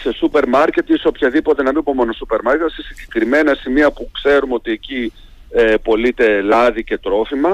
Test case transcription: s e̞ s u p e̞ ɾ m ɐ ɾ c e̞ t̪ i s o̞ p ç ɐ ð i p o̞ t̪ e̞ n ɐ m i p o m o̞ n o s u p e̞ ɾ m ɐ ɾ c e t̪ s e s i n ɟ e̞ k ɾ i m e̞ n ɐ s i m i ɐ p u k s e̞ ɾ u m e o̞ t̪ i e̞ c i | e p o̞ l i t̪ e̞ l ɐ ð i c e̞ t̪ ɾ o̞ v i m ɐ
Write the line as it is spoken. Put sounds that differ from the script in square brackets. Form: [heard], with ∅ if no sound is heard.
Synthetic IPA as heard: s e̞ s u p e̞ ɾ m ɐ ɾ c e̞ t̪ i s o̞ p ç ɐ ð i p o̞ t̪ e̞ n ɐ m i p o m o̞ n o s u p e̞ ɾ m ɐ ɾ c e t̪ s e s i [ɲ] ɟ e̞ k ɾ i m e̞ n ɐ s i m i ɐ p u k s e̞ ɾ u m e o̞ t̪ i e̞ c i | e p o̞ l i t̪ e̞ l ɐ ð i c e̞ t̪ ɾ o̞ [f] i m ɐ